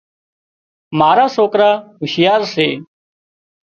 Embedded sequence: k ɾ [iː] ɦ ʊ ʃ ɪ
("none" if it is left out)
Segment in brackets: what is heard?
aː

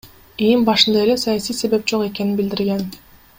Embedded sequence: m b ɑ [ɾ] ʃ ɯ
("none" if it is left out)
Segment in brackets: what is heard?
none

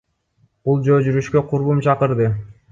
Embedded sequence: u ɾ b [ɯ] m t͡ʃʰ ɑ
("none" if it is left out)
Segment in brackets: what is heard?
u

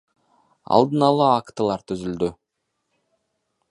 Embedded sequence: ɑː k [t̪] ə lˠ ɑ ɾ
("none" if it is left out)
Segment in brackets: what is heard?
t̪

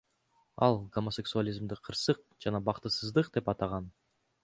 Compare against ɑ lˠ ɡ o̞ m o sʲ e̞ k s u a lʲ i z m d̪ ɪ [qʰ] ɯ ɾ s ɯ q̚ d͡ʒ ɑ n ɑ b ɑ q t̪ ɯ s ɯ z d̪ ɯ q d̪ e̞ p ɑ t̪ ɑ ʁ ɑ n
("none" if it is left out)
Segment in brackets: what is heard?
qʰ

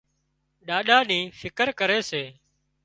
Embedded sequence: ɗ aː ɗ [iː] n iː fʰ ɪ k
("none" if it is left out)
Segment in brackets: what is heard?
aː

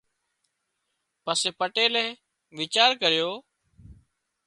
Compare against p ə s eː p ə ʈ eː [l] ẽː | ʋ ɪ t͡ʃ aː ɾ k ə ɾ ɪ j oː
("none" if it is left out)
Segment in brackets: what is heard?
l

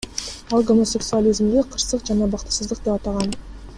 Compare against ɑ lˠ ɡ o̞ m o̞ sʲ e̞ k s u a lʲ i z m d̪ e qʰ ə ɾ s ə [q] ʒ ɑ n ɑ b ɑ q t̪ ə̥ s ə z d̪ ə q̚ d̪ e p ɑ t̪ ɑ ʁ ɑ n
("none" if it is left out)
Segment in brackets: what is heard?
q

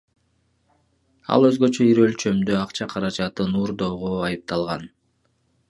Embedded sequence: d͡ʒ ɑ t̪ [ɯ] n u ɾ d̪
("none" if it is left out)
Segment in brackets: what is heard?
ɯ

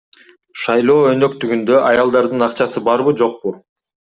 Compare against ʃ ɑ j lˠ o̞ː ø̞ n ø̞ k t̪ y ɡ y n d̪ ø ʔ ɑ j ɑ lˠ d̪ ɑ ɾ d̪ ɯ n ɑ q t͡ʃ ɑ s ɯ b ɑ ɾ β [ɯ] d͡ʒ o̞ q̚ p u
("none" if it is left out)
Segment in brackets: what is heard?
ɯ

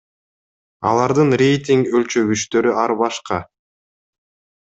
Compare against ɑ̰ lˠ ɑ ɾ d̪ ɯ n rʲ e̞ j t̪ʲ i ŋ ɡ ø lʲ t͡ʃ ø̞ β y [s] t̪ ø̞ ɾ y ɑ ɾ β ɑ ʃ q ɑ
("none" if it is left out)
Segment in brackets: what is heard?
ʃ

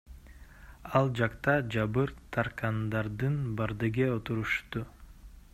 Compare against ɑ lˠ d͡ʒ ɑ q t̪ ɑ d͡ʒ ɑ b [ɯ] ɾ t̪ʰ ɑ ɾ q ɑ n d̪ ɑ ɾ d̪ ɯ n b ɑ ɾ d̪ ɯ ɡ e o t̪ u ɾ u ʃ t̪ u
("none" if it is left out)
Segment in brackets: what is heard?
ɯ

